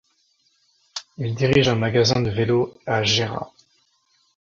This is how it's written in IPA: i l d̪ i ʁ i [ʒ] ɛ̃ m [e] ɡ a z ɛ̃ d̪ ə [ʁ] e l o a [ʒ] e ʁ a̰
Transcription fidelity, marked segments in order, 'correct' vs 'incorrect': correct, incorrect: a, incorrect: v, correct

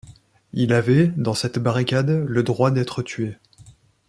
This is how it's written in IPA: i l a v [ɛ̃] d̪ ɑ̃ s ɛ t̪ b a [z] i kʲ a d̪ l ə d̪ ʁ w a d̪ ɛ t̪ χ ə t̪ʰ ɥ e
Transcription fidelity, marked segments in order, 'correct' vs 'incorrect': incorrect: ɛ, incorrect: ʁ

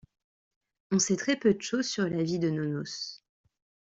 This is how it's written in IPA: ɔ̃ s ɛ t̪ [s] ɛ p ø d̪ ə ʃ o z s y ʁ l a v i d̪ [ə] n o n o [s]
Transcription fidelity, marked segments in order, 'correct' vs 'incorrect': incorrect: χ, correct, correct

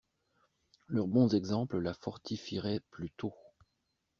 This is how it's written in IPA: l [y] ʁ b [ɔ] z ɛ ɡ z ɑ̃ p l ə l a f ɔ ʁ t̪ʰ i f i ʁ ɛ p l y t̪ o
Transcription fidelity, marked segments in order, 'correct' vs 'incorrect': incorrect: œ, incorrect: ɔ̃

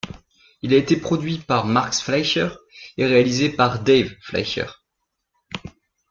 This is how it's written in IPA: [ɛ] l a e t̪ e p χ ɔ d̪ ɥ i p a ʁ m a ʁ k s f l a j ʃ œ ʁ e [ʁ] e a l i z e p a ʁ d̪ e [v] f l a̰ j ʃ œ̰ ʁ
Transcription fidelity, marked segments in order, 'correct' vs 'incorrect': incorrect: i, correct, correct

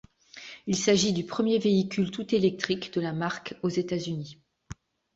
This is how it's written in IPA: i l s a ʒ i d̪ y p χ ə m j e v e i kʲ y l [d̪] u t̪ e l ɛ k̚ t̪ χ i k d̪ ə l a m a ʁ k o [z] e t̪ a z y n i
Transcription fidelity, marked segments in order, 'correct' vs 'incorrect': incorrect: t̪, correct

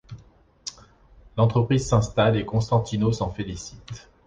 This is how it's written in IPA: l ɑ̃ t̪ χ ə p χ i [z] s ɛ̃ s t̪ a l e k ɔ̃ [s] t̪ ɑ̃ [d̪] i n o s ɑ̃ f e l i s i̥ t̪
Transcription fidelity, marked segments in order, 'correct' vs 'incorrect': correct, correct, incorrect: t̪

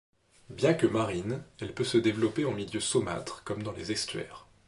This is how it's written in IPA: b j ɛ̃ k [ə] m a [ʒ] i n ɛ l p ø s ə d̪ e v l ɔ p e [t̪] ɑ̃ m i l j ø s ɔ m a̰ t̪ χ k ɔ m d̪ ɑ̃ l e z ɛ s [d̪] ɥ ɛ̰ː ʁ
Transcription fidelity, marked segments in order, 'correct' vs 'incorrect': correct, incorrect: ʁ, incorrect: none, incorrect: t̪

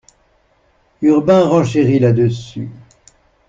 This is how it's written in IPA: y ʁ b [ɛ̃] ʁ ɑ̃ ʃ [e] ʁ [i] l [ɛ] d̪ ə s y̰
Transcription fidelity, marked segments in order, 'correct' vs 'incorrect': correct, correct, correct, incorrect: a

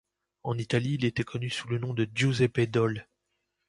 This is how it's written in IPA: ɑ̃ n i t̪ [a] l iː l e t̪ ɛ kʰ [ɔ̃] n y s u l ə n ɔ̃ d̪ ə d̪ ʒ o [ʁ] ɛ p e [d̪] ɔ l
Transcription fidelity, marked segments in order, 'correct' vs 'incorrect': correct, incorrect: ɔ, incorrect: z, correct

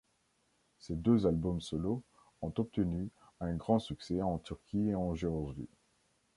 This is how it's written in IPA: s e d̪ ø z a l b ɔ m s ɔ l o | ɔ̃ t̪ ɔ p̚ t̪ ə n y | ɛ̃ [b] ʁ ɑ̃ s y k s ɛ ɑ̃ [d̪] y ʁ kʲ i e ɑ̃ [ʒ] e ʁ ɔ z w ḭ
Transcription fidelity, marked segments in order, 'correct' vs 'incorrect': incorrect: ɡ, incorrect: t̪, correct

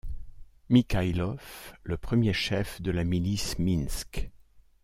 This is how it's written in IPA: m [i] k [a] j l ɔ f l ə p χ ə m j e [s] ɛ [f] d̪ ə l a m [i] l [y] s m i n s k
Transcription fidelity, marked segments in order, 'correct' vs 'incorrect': correct, correct, incorrect: ʃ, correct, correct, incorrect: i

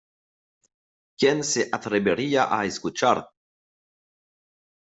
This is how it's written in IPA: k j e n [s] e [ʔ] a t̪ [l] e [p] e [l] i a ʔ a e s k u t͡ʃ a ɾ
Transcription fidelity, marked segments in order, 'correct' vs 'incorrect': correct, correct, incorrect: ɾ, incorrect: b, incorrect: ɾ

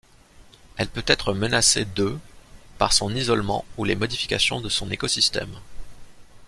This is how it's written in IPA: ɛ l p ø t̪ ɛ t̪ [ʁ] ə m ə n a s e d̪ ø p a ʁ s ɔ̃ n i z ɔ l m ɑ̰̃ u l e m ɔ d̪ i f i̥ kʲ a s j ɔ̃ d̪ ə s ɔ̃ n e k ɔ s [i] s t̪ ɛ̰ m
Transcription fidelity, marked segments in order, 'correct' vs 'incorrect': incorrect: χ, correct

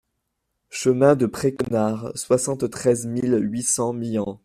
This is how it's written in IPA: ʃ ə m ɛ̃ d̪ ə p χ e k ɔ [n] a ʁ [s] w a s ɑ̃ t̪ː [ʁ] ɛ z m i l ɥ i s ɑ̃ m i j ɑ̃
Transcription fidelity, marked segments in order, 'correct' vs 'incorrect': correct, correct, incorrect: χ

